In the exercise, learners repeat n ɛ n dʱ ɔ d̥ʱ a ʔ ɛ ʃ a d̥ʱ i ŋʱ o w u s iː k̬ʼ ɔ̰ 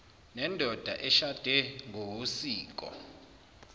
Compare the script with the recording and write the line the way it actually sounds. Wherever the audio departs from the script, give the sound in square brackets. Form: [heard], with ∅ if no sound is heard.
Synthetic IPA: n ɛ n dʱ ɔ d̥ʱ a ʔ ɛ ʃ a d̥ʱ [ɛ] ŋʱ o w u s iː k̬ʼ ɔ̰